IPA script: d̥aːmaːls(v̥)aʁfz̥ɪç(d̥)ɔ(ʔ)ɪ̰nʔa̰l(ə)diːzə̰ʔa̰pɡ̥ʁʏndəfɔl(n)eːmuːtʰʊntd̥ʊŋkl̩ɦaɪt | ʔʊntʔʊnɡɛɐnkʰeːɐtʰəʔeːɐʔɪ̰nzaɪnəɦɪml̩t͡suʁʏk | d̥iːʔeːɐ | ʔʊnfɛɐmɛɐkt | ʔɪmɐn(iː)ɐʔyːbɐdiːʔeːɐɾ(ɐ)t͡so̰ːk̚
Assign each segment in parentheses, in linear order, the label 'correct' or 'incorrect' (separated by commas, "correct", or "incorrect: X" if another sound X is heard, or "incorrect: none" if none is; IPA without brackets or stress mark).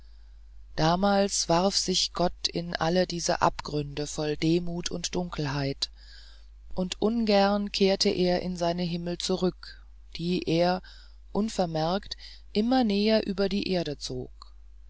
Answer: correct, incorrect: ɡ̥, incorrect: t, correct, incorrect: d, incorrect: ɛː, incorrect: ə